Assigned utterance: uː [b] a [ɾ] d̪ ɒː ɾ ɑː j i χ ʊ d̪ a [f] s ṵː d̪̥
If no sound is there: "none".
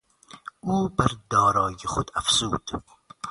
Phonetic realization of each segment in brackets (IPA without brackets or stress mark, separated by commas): b, ɾ, f